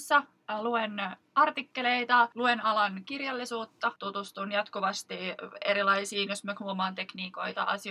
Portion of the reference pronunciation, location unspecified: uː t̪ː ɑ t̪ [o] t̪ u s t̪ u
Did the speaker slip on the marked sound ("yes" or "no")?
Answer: yes